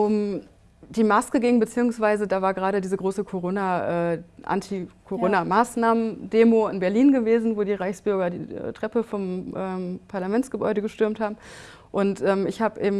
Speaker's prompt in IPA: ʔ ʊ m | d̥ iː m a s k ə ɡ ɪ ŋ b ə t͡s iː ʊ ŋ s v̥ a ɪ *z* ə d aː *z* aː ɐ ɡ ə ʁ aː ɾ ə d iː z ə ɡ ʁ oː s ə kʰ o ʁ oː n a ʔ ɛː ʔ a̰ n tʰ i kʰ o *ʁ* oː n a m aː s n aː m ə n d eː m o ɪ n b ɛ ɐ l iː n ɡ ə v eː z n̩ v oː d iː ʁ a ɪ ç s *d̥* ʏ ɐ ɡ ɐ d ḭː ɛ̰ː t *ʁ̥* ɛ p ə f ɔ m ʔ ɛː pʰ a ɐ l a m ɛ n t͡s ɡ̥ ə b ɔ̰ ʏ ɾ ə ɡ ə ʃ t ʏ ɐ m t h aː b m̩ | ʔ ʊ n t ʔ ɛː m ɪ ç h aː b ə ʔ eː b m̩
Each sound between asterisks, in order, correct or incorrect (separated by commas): correct, incorrect, correct, incorrect, correct